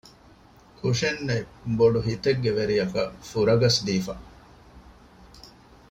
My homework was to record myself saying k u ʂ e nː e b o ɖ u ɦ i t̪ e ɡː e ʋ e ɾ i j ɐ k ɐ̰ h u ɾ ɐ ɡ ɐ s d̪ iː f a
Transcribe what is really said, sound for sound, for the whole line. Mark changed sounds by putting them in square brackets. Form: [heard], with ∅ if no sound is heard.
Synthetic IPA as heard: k u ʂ e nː e b o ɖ u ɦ i t̪ e ɡː e ʋ e ɾ i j ɐ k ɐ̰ [f] u ɾ ɐ ɡ ɐ s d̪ iː f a